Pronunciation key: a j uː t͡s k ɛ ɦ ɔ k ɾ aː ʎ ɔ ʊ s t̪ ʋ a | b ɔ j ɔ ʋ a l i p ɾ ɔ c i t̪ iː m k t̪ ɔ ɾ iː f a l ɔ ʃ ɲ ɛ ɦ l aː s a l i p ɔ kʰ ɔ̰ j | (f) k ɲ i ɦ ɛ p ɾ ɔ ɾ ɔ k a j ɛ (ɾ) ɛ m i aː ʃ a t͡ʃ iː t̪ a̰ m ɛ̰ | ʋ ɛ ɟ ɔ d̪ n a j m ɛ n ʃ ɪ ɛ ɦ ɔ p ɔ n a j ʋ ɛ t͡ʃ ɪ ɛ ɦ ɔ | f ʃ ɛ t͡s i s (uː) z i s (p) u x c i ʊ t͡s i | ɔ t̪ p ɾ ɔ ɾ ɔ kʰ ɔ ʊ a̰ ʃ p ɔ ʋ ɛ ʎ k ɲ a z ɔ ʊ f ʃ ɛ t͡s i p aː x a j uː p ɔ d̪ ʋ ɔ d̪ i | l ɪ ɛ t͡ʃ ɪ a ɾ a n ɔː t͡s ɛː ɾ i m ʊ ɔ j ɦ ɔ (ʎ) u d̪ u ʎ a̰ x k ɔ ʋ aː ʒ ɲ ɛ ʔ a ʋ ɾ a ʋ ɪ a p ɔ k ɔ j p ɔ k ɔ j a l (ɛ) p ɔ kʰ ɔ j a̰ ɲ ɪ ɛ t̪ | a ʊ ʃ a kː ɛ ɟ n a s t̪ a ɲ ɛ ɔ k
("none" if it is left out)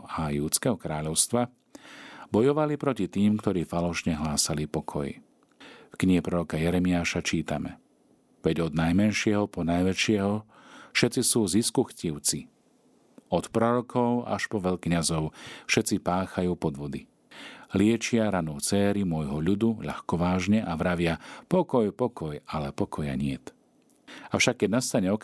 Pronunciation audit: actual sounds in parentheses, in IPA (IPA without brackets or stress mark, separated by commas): f, ɾ, uː, k, ʎ, ɛ